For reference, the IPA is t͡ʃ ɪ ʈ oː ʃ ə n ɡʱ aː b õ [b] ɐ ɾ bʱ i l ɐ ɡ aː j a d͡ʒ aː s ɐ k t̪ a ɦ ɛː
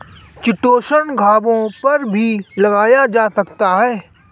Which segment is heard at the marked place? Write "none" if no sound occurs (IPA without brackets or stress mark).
p